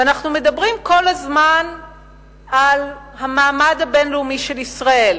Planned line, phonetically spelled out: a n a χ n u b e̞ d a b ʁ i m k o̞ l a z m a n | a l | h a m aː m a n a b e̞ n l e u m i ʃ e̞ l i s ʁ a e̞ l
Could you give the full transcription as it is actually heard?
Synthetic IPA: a n a χ n u m e̞ d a b ʁ i m k o̞ l a z m a n | a l | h a m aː m a d a b e̞ n l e u m i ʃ e̞ l i s ʁ a e̞ l